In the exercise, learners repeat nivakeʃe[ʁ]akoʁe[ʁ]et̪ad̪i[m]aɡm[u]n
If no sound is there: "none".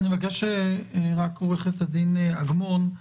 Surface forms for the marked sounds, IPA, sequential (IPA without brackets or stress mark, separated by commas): ʁ, χ, n, o